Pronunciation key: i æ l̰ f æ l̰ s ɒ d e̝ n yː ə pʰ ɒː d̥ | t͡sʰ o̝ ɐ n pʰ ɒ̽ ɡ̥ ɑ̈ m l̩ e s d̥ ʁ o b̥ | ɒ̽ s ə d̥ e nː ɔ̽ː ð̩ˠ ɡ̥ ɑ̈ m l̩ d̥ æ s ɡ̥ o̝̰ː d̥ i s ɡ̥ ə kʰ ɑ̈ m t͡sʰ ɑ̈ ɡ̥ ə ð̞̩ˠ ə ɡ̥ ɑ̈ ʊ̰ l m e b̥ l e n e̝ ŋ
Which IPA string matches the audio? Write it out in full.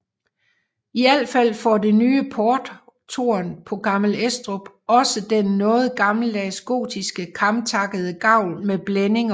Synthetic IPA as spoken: i æ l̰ f æ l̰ f ɒ d e̝ n yː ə pʰ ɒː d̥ | t͡sʰ o̝ ɐ n pʰ ɒ̽ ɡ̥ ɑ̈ m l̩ e s d̥ ʁ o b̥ | ɒ̽ s ə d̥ e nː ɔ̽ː ð̩ˠ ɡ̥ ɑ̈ m l̩ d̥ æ s ɡ̥ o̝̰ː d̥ i s ɡ̥ ə kʰ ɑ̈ m t͡sʰ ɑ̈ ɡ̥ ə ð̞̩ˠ ə ɡ̥ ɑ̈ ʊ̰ l m e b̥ l e n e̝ ŋ